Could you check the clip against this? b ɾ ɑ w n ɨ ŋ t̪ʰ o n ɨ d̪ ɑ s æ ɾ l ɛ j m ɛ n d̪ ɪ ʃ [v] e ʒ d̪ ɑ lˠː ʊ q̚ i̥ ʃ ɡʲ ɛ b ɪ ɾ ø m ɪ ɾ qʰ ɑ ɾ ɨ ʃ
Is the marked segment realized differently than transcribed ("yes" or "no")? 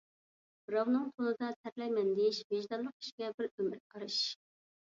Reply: no